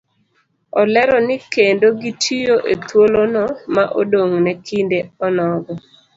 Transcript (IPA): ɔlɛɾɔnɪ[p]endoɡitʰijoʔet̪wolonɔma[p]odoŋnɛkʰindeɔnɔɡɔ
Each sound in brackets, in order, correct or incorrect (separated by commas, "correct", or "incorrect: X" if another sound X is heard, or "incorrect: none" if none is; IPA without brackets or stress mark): incorrect: k, incorrect: ʔ